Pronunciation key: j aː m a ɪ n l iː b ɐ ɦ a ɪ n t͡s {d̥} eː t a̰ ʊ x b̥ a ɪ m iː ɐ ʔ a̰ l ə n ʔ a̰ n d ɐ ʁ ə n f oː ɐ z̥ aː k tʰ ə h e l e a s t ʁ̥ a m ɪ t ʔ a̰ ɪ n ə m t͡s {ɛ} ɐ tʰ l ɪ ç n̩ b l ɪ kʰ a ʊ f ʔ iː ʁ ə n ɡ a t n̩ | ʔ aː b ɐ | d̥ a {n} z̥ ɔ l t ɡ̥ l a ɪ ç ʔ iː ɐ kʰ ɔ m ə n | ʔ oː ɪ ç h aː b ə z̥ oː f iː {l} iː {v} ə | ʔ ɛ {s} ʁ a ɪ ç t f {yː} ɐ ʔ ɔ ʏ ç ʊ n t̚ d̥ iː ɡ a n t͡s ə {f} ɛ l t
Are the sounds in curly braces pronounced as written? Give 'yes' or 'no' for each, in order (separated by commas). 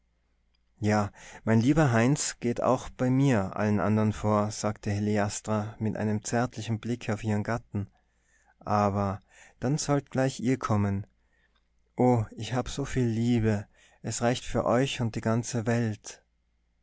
no, yes, yes, no, no, yes, yes, no